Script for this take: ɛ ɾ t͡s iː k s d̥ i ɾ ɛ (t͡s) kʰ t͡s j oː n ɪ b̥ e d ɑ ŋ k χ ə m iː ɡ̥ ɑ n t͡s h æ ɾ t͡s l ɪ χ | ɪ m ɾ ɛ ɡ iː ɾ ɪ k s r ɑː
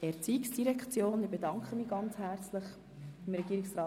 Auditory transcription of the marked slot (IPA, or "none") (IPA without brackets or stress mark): none